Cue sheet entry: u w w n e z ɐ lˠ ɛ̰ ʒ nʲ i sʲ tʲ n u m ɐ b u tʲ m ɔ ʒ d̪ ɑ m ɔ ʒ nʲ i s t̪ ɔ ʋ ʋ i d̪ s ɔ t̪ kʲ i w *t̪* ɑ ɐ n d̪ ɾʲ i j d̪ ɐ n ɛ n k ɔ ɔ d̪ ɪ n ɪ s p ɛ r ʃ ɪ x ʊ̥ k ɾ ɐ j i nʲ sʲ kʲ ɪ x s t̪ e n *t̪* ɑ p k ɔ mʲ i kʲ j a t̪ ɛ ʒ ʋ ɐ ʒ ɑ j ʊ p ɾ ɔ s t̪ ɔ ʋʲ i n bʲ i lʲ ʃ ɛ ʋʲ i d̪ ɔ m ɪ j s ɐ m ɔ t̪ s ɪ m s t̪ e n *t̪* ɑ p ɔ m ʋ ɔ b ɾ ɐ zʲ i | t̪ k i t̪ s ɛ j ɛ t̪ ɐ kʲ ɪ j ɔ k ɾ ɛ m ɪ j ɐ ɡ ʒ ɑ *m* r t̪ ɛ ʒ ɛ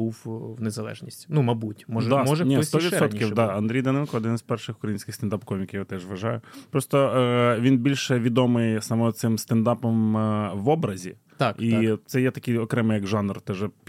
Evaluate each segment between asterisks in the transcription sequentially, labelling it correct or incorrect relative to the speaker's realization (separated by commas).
incorrect, incorrect, incorrect, incorrect